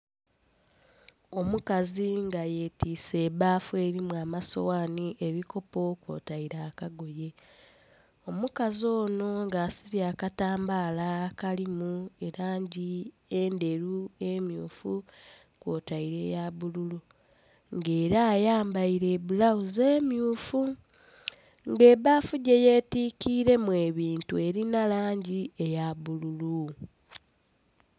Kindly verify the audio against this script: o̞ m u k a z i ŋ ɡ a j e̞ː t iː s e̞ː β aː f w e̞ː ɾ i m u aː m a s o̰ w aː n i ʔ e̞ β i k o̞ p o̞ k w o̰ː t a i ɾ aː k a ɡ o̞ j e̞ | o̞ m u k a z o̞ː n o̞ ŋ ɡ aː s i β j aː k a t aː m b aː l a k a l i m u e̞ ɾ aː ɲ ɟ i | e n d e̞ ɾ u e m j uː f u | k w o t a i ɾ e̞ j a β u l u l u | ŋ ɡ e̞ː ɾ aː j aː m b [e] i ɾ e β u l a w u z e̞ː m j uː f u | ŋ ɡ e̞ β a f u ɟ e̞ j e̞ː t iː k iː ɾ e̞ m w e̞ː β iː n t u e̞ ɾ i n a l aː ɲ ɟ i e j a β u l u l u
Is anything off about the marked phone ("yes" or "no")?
yes